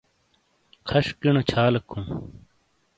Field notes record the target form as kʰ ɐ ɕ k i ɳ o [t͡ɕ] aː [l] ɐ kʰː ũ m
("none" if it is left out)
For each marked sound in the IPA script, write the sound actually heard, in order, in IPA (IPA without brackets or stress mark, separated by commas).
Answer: t͡ɕʰ, l